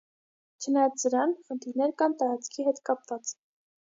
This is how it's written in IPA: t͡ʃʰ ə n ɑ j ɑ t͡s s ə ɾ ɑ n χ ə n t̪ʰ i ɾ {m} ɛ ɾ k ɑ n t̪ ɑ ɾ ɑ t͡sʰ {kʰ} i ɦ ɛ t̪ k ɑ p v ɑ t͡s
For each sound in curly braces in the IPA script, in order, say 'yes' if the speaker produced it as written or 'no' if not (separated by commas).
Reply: no, yes